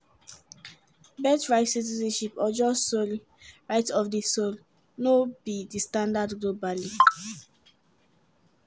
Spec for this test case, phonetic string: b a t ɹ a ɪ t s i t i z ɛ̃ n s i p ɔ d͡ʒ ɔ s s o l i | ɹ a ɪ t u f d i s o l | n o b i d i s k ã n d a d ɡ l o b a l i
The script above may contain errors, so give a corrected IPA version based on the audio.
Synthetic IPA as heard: b ɛ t ɹ a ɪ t s i t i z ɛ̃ n ʃ i p ɔ d͡ʒ ɔ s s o l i | ɹ a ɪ t ɔ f d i s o l | n o b i d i s t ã n d a d ɡ l o b a l i